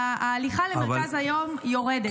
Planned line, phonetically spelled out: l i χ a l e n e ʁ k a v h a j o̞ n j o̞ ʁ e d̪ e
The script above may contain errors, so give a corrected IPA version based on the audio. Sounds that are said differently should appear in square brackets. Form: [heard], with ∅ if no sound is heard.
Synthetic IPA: l i χ a l e [m] e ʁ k a [z] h a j o̞ [m] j o̞ ʁ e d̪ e

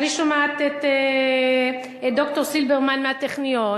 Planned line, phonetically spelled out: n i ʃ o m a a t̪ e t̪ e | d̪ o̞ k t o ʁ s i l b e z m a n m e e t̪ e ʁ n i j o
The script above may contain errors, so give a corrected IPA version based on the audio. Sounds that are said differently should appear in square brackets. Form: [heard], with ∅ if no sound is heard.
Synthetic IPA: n i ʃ o m a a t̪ e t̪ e | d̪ o̞ k t o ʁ s i l b e [ʁ] m a n m e [a] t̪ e [χ] n i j o

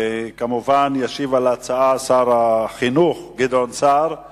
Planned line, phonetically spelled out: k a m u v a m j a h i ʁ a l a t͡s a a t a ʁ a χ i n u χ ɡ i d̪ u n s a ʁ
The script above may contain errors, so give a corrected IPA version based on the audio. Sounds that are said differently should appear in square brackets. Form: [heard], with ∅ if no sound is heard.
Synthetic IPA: k a m u v a [n] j a [ʃ] i [v] a l a t͡s a a [s] a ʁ a χ i n u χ ɡ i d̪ [o] n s a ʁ

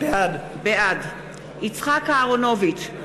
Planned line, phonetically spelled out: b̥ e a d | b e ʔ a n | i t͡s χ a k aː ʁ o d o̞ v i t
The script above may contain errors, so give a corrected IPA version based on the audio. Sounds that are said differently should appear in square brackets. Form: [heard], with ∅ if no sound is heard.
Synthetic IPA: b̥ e a d | b e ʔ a [d] | i t͡s χ a k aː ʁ o [n] o̞ v i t

